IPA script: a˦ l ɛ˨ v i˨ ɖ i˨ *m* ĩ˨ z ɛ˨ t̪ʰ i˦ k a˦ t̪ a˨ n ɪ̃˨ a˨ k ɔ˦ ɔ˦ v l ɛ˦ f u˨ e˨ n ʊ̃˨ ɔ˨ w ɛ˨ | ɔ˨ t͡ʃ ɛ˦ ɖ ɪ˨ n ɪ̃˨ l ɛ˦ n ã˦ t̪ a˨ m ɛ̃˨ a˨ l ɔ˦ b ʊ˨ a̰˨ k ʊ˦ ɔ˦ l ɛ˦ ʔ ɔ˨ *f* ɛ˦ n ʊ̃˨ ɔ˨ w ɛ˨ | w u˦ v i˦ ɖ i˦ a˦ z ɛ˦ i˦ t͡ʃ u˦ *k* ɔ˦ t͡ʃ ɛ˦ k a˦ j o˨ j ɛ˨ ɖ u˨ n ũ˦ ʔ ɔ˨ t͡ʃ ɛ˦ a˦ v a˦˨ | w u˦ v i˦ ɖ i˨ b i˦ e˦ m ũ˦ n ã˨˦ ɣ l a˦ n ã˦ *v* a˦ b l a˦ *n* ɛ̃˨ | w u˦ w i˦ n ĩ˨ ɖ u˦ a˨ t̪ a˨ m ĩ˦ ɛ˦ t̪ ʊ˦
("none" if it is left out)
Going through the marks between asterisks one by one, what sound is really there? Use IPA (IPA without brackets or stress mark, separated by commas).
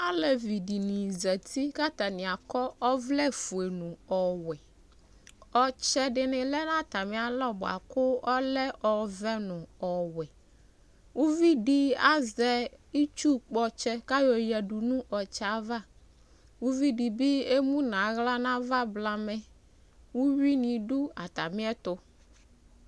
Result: n, v, k͡p, v, m